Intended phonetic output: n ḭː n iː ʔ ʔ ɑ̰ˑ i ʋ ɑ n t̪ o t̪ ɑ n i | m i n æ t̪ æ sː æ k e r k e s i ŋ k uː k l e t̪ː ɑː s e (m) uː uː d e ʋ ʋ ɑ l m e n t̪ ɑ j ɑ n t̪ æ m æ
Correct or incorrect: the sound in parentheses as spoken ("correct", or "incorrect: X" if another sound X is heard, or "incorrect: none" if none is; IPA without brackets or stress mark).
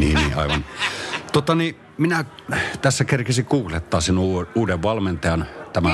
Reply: incorrect: n